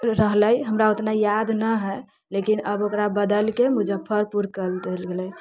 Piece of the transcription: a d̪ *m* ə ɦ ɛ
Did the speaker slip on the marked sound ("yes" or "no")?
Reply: yes